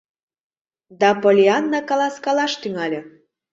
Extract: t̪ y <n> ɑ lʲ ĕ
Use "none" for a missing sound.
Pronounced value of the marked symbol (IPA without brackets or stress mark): ŋ